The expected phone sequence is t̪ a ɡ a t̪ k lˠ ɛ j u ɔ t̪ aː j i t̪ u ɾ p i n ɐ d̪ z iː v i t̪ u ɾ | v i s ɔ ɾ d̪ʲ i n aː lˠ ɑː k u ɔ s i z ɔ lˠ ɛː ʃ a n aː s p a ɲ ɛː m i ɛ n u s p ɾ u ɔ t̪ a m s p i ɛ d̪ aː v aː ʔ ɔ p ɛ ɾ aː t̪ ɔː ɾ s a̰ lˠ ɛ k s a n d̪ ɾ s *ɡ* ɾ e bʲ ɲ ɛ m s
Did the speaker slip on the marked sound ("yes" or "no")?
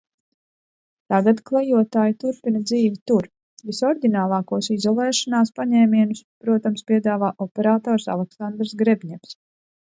no